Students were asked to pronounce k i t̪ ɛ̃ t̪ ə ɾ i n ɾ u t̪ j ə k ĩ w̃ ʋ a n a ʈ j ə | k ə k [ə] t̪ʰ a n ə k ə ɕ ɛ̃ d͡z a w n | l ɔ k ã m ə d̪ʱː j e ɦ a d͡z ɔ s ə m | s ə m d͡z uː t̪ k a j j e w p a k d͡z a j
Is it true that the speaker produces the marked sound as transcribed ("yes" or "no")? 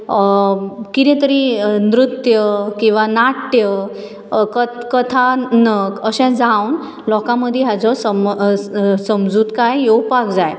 yes